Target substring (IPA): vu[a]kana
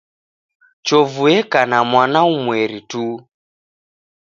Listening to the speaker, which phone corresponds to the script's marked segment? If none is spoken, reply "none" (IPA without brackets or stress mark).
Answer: ɛ